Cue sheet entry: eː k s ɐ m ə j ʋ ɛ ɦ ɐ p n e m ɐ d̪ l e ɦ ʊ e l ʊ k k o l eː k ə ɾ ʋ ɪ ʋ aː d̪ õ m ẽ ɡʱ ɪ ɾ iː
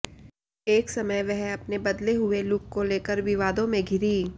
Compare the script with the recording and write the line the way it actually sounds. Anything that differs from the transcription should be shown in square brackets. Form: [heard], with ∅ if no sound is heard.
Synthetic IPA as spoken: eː k s ɐ m ə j ʋ ɛ ɦ ɐ p n e [b] ɐ d̪ l e ɦ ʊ e l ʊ k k o l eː k ə ɾ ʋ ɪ ʋ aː d̪ õ m ẽ ɡʱ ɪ ɾ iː